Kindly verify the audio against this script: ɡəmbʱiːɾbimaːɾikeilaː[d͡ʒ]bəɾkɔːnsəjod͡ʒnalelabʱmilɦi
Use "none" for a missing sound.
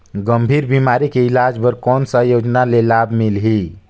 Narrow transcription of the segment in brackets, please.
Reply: d͡ʒ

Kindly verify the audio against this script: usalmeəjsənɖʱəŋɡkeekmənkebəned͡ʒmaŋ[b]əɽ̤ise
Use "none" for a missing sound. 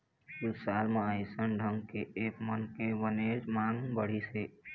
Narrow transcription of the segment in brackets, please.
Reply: b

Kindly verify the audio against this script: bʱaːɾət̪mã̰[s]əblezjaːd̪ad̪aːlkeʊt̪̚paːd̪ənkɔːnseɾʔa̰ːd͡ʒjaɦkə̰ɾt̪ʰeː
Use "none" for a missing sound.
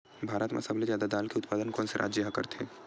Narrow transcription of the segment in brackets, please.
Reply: s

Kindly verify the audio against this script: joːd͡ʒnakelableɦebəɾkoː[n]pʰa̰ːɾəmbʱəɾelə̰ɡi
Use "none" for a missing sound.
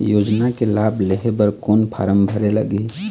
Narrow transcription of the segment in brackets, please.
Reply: n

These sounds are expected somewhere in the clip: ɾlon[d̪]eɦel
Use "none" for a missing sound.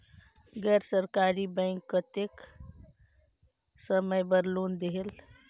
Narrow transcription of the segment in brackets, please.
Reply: d̪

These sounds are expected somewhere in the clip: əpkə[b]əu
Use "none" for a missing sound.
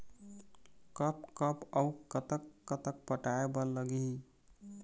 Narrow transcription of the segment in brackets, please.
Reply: p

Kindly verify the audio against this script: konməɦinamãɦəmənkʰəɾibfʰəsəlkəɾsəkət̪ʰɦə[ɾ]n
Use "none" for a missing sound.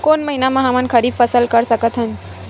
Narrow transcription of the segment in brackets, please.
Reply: none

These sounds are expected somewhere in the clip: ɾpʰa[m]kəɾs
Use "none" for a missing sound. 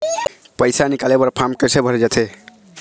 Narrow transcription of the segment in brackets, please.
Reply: m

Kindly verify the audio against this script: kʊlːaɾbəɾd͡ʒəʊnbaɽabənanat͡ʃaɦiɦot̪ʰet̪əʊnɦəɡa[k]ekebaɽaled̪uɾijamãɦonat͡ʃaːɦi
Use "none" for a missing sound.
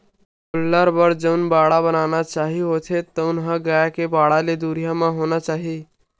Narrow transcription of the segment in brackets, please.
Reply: none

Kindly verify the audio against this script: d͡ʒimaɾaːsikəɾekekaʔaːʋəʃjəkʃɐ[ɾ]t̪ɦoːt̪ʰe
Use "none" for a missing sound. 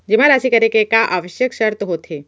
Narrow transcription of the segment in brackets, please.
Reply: ɾ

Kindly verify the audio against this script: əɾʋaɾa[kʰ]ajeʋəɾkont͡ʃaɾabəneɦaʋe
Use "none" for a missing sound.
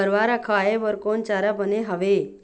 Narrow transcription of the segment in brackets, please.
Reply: kʰ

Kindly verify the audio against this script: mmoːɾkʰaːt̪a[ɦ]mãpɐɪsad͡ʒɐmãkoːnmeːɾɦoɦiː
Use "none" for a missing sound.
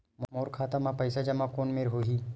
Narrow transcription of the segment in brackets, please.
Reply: none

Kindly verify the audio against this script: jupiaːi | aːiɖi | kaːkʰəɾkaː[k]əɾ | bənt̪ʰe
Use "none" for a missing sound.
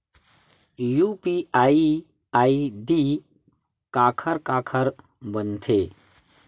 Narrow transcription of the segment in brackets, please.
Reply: kʰ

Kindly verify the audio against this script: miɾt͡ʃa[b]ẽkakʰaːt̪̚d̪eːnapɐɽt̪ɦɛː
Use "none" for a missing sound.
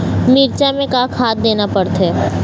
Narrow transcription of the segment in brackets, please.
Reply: m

